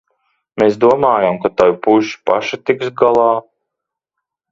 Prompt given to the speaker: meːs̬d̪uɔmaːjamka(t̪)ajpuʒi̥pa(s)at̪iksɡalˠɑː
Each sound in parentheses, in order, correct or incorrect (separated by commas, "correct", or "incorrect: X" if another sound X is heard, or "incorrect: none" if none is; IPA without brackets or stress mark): correct, incorrect: ʃ